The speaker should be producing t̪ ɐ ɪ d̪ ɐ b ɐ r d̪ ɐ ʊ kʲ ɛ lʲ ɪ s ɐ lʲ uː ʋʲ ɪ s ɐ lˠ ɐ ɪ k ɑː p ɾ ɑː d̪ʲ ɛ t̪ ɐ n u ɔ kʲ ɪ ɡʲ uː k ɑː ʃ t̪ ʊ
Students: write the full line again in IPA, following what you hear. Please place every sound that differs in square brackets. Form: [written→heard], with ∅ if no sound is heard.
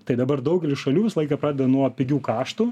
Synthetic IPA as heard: t̪ ɐ ɪ d̪ ɐ b ɐ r d̪ ɐ ʊ [kʲ→ɡʲ] ɛ lʲ ɪ [s→ʃ] ɐ lʲ uː ʋʲ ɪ s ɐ lˠ ɐ ɪ k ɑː p ɾ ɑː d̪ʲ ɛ [t̪→d̪] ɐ n u ɔ [kʲ→pʲ] ɪ ɡʲ uː k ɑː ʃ t̪ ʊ